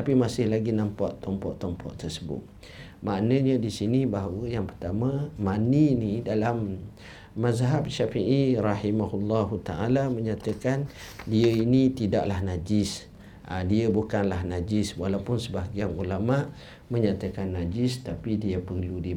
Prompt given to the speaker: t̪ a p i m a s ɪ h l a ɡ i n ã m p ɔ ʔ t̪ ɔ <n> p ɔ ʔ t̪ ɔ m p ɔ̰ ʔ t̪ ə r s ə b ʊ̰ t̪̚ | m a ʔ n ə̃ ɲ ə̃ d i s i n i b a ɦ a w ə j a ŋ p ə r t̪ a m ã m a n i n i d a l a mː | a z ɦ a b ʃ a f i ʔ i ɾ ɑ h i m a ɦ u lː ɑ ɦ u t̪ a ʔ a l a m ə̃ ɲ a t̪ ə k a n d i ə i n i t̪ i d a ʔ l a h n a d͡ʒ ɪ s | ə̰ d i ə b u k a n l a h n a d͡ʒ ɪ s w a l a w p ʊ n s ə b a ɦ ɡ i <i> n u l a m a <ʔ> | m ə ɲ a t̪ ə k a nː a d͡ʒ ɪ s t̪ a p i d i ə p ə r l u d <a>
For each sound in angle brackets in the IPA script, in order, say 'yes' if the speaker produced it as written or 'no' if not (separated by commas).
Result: no, no, yes, no